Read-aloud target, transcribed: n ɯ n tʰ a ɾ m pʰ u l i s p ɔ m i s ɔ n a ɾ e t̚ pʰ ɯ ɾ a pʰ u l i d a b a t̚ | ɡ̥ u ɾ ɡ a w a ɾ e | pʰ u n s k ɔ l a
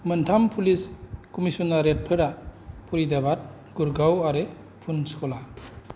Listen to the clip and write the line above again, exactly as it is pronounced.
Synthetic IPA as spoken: m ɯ n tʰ a m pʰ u l i s k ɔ m i s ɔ n a ɾ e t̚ pʰ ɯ ɾ a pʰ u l i d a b a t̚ | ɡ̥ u ɾ ɡ a w a ɾ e | pʰ u n s k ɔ l a